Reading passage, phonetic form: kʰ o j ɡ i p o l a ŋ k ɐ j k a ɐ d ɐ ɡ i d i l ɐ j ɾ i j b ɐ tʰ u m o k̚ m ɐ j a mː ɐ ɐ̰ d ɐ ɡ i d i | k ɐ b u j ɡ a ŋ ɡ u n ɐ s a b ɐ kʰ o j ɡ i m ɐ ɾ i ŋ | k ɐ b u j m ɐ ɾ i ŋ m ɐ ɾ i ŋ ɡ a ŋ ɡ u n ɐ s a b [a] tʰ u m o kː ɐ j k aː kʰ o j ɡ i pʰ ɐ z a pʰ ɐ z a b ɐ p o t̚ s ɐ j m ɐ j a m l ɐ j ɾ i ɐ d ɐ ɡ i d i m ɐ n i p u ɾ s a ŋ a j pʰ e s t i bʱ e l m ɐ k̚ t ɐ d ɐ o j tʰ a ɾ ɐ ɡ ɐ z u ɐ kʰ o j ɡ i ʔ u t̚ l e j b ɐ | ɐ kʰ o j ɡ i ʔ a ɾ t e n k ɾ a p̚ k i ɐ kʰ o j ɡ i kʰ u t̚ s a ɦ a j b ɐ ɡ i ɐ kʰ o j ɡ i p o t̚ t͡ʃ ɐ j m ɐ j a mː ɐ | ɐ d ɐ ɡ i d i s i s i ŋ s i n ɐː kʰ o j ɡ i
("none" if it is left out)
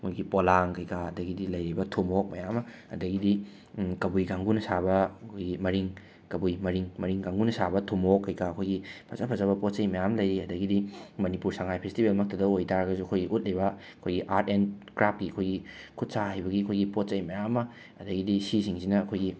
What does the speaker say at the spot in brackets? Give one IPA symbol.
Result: ɐ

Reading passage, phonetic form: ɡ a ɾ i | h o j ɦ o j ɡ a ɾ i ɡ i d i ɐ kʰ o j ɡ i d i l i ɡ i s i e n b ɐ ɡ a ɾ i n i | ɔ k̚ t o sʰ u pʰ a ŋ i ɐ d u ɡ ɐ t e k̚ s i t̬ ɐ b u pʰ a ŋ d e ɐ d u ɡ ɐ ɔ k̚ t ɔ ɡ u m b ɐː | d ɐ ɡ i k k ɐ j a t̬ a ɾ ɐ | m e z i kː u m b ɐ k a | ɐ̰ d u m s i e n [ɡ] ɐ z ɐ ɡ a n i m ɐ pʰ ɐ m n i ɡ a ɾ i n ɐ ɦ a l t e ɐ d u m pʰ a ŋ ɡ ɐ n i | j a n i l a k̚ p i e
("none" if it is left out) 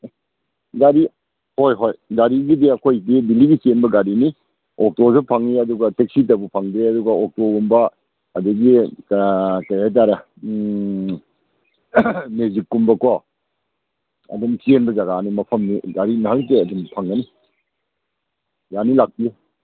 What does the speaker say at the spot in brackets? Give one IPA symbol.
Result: b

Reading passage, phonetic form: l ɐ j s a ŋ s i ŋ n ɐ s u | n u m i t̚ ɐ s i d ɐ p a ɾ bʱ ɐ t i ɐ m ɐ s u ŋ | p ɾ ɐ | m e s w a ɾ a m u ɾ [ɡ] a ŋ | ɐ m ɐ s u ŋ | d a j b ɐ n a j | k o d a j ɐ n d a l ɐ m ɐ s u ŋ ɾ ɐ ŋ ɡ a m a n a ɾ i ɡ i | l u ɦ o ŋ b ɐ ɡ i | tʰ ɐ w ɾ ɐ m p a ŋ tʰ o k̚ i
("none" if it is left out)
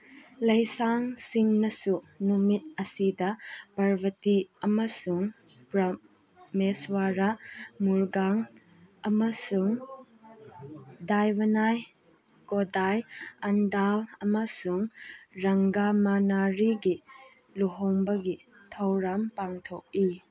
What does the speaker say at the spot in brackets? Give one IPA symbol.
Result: ɡ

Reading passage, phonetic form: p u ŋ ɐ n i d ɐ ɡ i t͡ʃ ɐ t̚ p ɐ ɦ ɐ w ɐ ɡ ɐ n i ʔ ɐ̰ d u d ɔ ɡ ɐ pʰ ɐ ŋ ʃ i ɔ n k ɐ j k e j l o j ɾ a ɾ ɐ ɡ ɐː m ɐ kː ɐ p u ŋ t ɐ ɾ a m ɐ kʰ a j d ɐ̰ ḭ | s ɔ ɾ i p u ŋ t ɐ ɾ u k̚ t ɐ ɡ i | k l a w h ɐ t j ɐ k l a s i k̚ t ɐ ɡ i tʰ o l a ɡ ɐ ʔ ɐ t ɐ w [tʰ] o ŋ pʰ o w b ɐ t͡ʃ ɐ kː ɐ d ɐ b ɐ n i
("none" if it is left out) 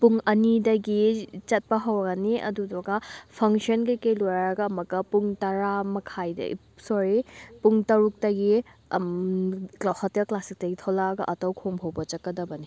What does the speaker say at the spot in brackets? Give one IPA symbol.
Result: kʰ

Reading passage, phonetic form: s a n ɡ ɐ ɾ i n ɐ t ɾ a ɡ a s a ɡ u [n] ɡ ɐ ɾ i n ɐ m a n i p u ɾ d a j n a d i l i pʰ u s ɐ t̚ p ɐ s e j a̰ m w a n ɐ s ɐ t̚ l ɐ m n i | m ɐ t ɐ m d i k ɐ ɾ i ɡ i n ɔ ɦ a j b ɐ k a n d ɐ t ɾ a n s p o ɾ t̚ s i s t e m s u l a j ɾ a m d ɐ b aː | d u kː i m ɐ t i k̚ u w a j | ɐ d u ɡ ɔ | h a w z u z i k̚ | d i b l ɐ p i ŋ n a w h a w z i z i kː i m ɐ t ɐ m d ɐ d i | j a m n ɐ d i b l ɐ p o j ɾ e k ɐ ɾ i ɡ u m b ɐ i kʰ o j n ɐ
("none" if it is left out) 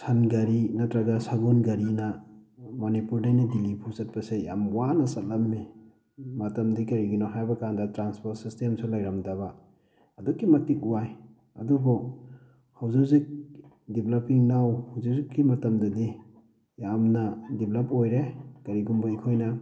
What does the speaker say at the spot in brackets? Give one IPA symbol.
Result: n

